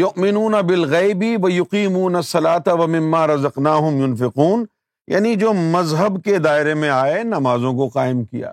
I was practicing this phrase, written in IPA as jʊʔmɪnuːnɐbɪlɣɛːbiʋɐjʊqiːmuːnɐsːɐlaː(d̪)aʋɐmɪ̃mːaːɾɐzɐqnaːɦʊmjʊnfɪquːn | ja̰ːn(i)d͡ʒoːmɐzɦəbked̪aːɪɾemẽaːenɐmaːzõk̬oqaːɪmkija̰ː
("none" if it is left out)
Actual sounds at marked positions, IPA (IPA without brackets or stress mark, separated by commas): t̪, i